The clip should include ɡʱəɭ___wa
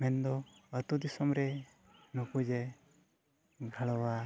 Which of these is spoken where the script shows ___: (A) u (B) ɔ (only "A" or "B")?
B